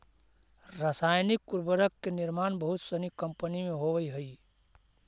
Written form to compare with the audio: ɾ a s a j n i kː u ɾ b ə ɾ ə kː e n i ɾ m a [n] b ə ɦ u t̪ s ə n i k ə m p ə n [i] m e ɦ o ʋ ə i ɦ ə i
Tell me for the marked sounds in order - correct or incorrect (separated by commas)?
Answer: correct, correct